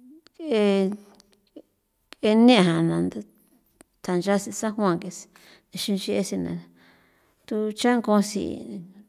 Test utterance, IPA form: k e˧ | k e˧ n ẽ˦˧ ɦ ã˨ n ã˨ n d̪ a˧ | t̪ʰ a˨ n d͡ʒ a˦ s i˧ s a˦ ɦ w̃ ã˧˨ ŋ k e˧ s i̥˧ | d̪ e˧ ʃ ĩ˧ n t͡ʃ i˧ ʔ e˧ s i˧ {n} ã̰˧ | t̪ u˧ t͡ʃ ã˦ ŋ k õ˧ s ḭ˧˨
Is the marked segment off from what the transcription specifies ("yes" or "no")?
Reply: no